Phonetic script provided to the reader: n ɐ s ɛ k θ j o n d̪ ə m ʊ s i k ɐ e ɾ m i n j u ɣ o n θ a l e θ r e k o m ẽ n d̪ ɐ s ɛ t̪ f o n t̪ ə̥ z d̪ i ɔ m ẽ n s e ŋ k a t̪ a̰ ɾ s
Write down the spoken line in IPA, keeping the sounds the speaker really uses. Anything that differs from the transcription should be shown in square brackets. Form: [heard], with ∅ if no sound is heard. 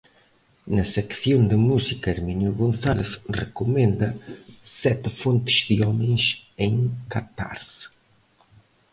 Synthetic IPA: n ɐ s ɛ k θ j o n d̪ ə m [u] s i k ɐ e ɾ m i n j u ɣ o n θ a l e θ r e k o m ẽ n d̪ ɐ s ɛ t̪ f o n t̪ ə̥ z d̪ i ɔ m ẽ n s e ŋ k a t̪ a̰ ɾ s

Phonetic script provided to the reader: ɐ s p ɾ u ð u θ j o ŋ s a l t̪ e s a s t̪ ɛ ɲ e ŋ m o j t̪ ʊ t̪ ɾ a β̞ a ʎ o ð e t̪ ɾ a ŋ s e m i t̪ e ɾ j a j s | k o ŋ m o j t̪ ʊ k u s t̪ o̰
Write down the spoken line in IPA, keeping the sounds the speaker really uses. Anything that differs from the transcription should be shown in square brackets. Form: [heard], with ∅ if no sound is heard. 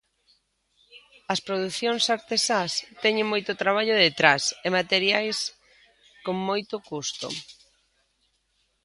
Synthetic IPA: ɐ s p ɾ [o] ð u θ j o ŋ s a [ɾ] t̪ e s a s t̪ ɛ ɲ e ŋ m o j t̪ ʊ t̪ ɾ a β̞ a ʎ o ð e t̪ ɾ a [∅] s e m [a] t̪ e ɾ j a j s | k o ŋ m o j t̪ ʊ k u s t̪ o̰

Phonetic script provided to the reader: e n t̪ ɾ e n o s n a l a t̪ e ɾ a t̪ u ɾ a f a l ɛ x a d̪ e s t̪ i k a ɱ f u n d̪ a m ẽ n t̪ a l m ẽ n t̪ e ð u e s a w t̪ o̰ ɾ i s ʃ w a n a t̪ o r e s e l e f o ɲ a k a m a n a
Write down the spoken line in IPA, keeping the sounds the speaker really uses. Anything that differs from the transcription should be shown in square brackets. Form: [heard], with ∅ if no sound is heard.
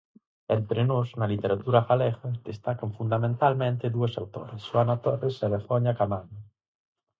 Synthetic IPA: e n t̪ ɾ e n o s n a l [i] t̪ e ɾ a t̪ u ɾ a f a l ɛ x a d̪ e s t̪ [a] k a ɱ f u n d̪ a m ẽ n t̪ a l m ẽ n t̪ e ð u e s a w t̪ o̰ ɾ [e] s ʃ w a n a t̪ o r e s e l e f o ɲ a k a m a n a

